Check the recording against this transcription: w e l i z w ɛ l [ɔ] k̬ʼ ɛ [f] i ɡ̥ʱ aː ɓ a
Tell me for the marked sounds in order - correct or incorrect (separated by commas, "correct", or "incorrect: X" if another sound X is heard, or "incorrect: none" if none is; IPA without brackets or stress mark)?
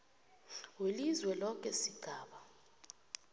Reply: correct, incorrect: s